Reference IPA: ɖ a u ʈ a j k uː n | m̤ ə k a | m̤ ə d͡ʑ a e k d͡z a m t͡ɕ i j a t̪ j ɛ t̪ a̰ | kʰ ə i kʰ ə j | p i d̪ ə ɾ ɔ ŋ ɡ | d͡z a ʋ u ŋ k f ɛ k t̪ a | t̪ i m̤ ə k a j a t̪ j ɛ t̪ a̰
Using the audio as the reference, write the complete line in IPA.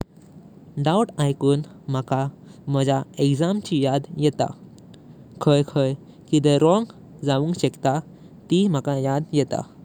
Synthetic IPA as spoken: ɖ a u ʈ a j k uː n | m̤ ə k a | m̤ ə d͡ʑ a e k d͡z a m t͡ɕ i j a d̪ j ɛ t̪ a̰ | kʰ ə j kʰ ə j | k i d̪ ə ɾ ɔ ŋ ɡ | d͡z a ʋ u ŋ k ɕ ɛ k t̪ a | t̪ i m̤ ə k a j a d̪ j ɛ t̪ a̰